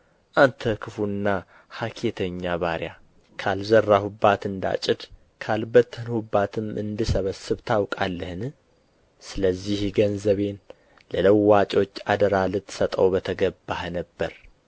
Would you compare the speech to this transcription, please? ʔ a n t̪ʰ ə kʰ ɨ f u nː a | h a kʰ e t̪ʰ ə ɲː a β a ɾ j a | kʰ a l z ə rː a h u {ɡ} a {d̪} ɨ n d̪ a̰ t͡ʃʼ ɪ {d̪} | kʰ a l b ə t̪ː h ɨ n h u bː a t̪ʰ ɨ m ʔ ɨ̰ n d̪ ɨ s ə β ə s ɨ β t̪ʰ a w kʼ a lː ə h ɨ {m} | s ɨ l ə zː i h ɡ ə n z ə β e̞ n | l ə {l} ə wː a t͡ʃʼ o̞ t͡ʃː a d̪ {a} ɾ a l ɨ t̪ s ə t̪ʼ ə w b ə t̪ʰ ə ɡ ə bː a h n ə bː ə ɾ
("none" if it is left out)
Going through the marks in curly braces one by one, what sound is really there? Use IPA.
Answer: b, t̪, d̪, n, l, ə

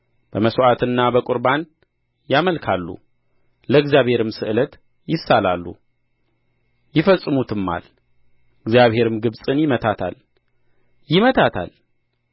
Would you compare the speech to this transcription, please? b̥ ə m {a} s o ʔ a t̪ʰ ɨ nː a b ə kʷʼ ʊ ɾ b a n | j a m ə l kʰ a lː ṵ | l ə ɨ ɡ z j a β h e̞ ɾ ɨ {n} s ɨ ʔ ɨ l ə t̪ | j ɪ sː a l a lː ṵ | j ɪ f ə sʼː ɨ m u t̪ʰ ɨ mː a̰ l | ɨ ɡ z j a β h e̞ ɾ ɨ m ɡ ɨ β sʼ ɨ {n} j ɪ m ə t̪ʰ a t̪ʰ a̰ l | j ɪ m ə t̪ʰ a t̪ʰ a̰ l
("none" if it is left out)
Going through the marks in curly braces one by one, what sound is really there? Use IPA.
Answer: ə, m, n

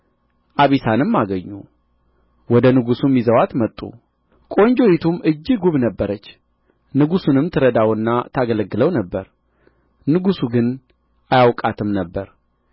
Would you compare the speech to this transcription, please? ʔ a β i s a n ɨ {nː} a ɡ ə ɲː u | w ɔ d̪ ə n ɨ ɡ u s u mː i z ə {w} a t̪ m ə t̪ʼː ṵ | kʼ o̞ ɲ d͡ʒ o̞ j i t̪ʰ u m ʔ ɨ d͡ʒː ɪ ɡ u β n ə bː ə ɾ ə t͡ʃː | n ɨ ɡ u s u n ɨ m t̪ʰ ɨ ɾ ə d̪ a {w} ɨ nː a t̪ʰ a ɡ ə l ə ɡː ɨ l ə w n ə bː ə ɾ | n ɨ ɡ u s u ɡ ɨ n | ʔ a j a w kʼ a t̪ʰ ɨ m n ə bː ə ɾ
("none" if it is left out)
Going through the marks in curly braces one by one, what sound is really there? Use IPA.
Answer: mː, w, w

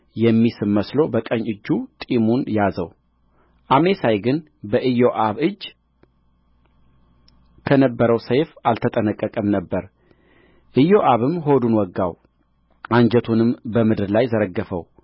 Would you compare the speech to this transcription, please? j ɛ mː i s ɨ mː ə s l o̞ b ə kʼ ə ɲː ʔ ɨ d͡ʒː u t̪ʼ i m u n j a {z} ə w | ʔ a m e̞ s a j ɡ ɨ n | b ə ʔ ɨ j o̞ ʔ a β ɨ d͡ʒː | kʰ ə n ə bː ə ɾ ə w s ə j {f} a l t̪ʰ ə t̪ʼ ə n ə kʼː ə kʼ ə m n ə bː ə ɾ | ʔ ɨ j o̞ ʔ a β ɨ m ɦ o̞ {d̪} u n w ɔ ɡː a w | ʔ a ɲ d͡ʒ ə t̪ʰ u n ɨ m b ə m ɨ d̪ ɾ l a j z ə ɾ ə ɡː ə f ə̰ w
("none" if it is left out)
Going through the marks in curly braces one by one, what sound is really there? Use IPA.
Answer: z, f, d̪

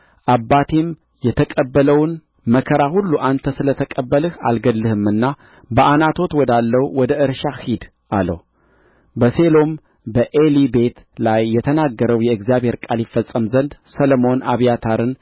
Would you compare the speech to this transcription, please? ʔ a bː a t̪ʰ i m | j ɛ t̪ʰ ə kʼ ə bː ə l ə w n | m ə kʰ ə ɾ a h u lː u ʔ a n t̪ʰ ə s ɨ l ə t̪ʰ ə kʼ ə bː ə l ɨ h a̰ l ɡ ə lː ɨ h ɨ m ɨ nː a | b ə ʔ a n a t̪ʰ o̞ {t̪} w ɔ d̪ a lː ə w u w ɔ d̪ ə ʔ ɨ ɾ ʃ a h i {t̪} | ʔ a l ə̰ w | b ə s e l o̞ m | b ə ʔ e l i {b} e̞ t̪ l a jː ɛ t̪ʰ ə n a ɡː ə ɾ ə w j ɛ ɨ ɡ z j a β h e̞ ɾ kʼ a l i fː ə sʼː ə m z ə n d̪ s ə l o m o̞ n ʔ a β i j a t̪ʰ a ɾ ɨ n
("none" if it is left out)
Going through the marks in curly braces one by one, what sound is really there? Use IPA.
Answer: t̪, d̪, b

